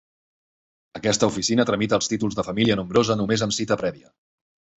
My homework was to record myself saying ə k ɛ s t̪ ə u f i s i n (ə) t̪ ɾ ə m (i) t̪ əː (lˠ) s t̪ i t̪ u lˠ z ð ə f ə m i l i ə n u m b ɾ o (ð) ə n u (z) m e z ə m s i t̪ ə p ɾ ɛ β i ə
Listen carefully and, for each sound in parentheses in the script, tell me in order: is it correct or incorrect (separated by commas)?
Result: correct, correct, correct, incorrect, incorrect